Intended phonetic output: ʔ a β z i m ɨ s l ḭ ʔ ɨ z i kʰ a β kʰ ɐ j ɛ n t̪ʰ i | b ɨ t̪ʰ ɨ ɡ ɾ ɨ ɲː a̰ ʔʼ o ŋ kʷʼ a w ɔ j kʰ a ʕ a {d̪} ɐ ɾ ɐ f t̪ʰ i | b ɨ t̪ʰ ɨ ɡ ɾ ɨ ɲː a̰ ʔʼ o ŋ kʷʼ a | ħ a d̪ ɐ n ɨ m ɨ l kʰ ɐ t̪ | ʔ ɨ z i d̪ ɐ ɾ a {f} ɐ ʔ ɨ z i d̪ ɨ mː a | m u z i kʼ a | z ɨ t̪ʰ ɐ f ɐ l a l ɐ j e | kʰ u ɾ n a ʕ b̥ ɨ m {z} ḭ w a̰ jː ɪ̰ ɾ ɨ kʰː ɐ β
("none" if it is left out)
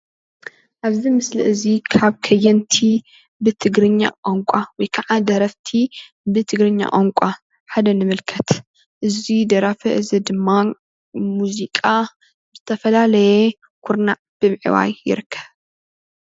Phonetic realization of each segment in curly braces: d̪, f, ʕ

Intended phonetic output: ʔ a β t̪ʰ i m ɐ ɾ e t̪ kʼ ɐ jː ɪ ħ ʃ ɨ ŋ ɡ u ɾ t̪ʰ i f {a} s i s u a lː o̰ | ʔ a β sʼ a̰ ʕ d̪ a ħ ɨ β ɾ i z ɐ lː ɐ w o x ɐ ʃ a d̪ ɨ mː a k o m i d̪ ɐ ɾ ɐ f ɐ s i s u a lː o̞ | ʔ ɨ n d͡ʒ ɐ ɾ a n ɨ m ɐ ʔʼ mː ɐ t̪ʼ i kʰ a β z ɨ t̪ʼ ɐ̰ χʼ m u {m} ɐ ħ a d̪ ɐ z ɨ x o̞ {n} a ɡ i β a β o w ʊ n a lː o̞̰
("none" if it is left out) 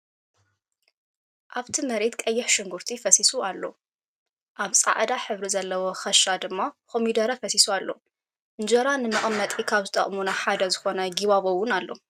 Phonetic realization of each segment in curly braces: ɐ, n, n

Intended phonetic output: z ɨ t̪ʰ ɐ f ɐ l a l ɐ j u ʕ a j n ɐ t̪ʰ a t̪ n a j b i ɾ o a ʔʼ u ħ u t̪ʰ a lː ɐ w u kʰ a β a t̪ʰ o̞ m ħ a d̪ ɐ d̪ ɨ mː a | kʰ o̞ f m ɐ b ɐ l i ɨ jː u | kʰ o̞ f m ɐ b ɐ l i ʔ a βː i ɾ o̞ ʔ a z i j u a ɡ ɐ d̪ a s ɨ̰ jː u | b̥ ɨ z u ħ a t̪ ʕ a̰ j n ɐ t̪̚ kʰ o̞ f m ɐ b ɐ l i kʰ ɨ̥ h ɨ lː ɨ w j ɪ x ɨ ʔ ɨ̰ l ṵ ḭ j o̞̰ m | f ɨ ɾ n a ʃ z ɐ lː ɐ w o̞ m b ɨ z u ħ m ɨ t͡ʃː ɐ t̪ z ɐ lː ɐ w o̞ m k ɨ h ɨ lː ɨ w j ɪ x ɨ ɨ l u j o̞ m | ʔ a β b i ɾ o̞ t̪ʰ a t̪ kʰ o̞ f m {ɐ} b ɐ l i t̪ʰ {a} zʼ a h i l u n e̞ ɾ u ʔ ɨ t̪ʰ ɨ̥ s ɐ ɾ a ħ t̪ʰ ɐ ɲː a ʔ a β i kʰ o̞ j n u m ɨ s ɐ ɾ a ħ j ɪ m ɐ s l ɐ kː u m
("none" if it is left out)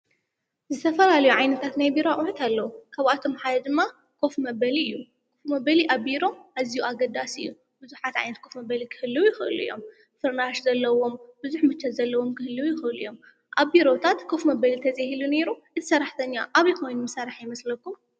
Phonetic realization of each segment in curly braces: ɐ, ɐ

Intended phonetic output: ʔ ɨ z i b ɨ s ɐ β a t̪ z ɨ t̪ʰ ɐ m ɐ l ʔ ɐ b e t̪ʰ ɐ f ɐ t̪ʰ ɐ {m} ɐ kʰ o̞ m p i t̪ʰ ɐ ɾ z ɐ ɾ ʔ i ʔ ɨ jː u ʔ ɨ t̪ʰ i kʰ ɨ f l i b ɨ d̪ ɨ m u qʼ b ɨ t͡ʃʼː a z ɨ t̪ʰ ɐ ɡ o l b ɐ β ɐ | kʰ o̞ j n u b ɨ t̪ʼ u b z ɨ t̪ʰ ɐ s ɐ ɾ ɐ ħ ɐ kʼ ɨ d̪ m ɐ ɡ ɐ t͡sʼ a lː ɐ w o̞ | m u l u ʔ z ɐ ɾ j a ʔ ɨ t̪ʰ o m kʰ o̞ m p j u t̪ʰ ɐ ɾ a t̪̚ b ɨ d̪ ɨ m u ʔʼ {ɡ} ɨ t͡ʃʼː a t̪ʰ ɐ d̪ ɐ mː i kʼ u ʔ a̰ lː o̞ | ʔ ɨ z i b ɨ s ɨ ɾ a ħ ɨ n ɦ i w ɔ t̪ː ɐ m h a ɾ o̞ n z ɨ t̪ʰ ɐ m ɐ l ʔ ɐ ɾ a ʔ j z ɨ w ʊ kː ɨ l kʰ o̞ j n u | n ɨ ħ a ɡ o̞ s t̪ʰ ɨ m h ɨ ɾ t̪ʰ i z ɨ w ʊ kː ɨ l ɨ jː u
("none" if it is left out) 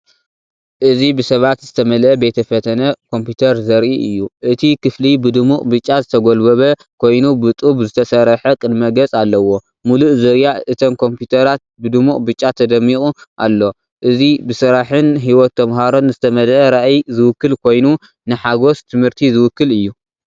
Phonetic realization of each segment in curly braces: n, b

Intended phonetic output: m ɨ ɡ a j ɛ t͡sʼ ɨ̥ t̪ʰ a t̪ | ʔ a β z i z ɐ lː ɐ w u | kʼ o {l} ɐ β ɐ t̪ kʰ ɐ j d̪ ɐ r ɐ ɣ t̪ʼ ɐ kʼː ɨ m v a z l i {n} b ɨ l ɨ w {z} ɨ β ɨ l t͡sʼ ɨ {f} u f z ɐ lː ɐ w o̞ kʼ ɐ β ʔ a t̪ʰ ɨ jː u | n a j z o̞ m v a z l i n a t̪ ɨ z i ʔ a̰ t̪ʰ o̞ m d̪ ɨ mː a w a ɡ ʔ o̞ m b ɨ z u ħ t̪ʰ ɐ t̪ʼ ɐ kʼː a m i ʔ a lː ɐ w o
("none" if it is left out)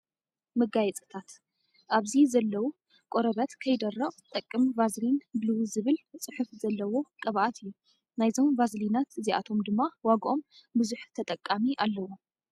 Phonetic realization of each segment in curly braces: ɾ, n, z, ħ

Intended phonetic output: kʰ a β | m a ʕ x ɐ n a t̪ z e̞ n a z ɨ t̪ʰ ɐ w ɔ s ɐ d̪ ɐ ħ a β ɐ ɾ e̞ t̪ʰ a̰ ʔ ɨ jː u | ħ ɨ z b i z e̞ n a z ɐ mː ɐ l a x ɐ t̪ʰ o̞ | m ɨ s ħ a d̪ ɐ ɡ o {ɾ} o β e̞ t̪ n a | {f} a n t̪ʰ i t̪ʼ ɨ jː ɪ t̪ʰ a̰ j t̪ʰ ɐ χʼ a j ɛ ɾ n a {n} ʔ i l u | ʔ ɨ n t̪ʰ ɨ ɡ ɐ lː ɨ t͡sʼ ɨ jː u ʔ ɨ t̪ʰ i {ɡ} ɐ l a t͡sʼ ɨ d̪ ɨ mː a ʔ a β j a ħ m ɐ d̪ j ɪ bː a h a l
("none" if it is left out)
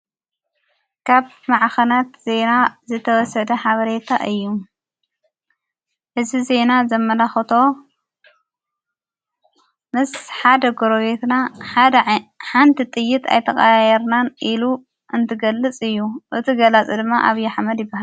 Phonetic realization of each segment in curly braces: ɾ, ħ, n, ɡ

